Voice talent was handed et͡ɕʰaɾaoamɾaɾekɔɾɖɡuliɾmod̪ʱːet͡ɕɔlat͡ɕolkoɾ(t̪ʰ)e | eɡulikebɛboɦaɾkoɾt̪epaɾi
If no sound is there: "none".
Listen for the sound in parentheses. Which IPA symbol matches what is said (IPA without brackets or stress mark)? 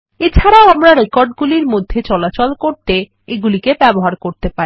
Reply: t̪